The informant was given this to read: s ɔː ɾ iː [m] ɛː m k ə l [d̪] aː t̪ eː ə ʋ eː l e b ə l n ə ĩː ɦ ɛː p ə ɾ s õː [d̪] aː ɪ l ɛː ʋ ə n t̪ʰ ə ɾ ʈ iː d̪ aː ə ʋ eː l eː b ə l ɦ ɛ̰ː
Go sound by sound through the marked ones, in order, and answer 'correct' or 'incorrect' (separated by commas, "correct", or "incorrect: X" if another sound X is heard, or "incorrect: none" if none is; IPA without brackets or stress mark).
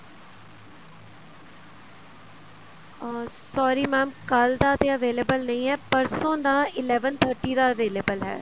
correct, correct, correct